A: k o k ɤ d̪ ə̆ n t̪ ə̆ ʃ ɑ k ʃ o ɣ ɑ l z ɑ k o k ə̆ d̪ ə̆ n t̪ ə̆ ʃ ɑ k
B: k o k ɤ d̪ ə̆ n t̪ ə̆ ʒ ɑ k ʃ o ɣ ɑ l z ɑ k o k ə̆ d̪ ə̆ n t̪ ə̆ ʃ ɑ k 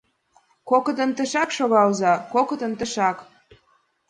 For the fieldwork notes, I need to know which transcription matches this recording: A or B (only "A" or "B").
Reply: A